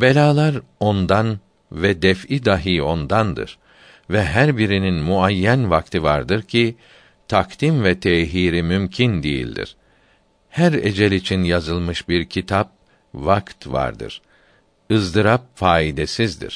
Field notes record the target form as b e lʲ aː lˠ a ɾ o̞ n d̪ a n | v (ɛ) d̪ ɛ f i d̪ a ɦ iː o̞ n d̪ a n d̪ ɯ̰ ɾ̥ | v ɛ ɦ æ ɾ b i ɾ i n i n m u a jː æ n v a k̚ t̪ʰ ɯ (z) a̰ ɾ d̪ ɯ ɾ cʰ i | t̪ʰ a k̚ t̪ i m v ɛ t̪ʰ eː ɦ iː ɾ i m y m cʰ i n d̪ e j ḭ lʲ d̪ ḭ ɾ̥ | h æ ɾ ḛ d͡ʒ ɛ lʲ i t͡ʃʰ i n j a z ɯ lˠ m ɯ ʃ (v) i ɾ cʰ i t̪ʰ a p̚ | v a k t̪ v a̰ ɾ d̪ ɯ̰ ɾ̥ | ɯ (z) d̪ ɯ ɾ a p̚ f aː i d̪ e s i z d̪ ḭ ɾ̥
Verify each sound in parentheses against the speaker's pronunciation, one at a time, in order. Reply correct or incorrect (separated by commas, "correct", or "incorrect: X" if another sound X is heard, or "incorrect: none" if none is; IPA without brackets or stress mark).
correct, incorrect: v, incorrect: b, correct